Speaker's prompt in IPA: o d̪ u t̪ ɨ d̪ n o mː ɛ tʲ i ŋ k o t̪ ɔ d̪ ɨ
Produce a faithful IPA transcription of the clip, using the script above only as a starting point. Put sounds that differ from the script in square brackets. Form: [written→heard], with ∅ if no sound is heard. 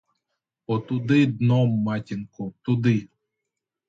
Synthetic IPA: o [d̪→t̪] u [t̪→d̪] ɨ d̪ n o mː [ɛ→a] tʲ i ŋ k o t̪ [ɔ→u] d̪ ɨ